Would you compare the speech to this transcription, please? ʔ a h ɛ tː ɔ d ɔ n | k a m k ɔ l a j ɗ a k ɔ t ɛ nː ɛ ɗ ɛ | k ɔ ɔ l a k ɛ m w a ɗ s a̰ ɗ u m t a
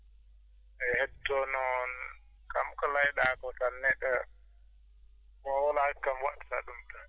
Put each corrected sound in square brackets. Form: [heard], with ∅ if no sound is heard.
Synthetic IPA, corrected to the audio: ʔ [ɛ] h ɛ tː ɔ [n] ɔ n | k a m k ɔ l a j ɗ a k ɔ t [a] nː ɛ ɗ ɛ | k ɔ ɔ l a k [a] m w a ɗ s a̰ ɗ u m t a